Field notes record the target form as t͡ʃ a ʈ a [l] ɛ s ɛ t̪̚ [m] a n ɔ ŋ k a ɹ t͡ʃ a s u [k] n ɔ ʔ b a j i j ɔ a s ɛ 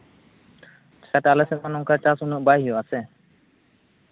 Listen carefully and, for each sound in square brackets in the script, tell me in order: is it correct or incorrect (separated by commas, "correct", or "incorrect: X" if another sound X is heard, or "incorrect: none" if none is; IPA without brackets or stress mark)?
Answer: correct, correct, incorrect: none